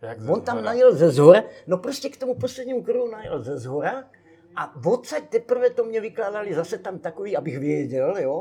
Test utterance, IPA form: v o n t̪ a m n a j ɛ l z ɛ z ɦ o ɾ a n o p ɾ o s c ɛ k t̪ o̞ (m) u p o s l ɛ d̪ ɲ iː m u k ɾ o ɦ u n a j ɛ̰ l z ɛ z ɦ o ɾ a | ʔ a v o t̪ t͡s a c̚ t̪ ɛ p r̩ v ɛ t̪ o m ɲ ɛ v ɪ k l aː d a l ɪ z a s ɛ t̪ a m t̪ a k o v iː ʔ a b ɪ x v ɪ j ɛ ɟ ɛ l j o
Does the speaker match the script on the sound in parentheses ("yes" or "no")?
yes